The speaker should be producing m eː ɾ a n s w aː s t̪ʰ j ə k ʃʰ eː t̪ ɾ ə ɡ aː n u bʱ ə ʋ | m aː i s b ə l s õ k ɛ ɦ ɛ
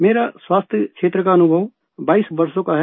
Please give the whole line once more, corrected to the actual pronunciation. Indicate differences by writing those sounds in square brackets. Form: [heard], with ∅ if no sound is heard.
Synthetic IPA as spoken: m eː ɾ a [∅] s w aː s t̪ʰ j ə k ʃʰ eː t̪ ɾ ə [k] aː n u bʱ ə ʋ | [b] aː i s b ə [ɾ] s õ k [a] ɦ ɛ